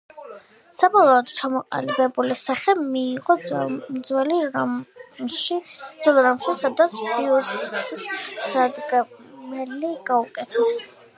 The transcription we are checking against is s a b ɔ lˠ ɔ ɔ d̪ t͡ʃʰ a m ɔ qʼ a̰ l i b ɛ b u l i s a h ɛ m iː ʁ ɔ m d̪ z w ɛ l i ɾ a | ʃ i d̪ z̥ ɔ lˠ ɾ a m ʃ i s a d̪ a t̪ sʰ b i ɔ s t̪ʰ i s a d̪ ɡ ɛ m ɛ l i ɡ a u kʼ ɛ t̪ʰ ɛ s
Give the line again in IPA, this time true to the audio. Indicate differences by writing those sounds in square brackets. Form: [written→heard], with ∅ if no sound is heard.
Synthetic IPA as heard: s a b ɔ lˠ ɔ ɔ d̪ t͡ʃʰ a m ɔ qʼ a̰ l i b ɛ b u l i s a [h→χ] ɛ m iː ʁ ɔ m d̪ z w ɛ l i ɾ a | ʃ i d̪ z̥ ɔ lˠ ɾ a m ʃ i s a d̪ a t̪ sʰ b i ɔ s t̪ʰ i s a d̪ ɡ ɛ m ɛ l i ɡ a u kʼ ɛ t̪ʰ ɛ s

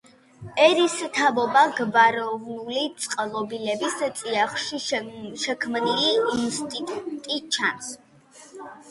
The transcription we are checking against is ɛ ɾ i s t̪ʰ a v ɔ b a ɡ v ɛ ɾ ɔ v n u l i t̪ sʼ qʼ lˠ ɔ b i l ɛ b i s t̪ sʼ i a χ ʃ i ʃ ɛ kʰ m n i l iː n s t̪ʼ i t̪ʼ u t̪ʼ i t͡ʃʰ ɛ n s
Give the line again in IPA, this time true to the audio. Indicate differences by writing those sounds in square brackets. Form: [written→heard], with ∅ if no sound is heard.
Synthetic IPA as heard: ɛ ɾ i s t̪ʰ a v ɔ b a ɡ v [ɛ→a] ɾ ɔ v n u l i t̪ sʼ qʼ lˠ ɔ b i l ɛ b i s t̪ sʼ i a χ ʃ i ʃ ɛ kʰ m n i l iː n s t̪ʼ i t̪ʼ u t̪ʼ i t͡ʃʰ [ɛ→a] n s

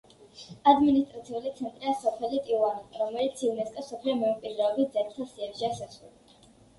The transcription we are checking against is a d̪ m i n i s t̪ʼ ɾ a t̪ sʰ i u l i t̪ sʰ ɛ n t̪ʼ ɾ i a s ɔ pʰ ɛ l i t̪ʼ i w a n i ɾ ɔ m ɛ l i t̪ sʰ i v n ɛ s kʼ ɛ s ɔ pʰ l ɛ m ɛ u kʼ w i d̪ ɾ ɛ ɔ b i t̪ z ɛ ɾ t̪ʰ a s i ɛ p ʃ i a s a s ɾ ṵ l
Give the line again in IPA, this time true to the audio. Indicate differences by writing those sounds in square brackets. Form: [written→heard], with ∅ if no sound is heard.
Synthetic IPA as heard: a d̪ m i n i s t̪ʼ ɾ a t̪ sʰ i u l i t̪ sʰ ɛ n t̪ʼ ɾ i a s ɔ pʰ ɛ l i t̪ʼ i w a n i ɾ ɔ m ɛ l i t̪ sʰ i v n ɛ s kʼ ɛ s ɔ pʰ l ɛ m ɛ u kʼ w i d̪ ɾ ɛ ɔ b i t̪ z ɛ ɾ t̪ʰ a s i ɛ p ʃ i a s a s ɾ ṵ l

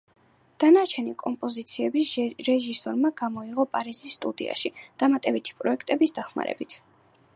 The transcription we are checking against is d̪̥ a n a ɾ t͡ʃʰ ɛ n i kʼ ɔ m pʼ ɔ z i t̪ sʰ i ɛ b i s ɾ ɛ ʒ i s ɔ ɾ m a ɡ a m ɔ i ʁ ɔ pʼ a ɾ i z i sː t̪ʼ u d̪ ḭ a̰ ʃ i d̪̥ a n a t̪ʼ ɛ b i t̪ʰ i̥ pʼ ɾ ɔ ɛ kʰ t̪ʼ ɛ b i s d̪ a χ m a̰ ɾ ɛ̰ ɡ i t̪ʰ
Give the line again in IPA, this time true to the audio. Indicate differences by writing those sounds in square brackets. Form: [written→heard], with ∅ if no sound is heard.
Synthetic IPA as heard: d̪̥ a n a ɾ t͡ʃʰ ɛ n i kʼ ɔ m pʼ ɔ z i t̪ sʰ i ɛ b i s ɾ ɛ ʒ i s ɔ ɾ m a ɡ a m ɔ i ʁ ɔ pʼ a ɾ i z i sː t̪ʼ u d̪ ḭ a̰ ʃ i d̪̥ a [n→m] a t̪ʼ ɛ b i t̪ʰ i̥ pʼ ɾ ɔ ɛ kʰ t̪ʼ ɛ b i s d̪ a χ m a̰ ɾ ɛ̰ [ɡ→b] i t̪ʰ

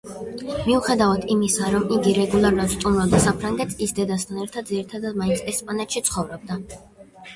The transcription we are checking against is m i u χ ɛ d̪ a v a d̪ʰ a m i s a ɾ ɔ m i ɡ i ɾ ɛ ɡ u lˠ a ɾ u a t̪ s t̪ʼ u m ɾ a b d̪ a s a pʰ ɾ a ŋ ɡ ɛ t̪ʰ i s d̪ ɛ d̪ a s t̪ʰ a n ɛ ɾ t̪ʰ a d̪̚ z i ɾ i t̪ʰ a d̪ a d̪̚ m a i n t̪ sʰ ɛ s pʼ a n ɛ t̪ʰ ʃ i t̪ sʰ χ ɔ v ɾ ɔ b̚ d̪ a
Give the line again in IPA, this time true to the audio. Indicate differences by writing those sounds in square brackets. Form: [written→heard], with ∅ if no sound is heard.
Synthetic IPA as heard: m i u χ ɛ d̪ a v a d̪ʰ [a→i] m i s a ɾ ɔ m i ɡ i ɾ ɛ ɡ u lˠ a ɾ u a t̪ s t̪ʼ u m ɾ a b d̪ a s a pʰ ɾ a ŋ ɡ ɛ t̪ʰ i s d̪ ɛ d̪ a s t̪ʰ a n ɛ ɾ t̪ʰ a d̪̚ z i ɾ i t̪ʰ a d̪ a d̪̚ m a i n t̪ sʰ ɛ s pʼ a n ɛ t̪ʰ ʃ i t̪ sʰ χ ɔ v ɾ ɔ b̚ d̪ a

